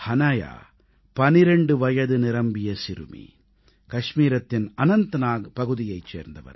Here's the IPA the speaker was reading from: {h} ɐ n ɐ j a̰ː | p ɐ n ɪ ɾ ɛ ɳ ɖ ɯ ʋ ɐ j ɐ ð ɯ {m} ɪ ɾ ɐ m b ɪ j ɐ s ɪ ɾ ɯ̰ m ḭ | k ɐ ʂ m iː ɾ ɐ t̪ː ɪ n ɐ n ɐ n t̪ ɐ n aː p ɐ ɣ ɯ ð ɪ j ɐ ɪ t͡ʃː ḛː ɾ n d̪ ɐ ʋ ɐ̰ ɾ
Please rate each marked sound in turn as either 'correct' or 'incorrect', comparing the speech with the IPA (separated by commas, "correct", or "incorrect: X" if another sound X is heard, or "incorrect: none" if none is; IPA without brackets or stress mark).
correct, incorrect: n